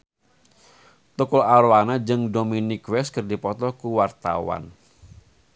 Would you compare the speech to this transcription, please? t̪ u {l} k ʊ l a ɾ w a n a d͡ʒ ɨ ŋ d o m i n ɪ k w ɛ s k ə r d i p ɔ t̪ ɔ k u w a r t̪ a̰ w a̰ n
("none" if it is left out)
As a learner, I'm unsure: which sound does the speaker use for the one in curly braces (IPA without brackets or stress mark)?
none